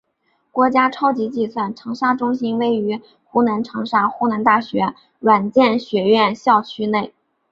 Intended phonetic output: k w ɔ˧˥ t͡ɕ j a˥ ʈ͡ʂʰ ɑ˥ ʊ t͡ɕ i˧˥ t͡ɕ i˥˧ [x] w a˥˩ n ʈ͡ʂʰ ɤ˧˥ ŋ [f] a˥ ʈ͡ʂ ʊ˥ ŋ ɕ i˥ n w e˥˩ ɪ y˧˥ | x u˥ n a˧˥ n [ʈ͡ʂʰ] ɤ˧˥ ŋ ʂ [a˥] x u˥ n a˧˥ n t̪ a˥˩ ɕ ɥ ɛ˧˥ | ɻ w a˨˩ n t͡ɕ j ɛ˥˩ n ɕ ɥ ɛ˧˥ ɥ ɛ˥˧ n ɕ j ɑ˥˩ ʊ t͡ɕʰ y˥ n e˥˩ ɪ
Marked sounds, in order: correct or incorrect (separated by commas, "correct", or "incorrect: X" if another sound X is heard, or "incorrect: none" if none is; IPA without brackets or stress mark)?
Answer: incorrect: s, incorrect: ʂ, correct, correct